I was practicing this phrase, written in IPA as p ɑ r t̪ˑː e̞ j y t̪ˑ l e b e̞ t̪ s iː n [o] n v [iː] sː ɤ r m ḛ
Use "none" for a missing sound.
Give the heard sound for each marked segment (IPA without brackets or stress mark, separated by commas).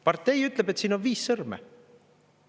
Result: o, iː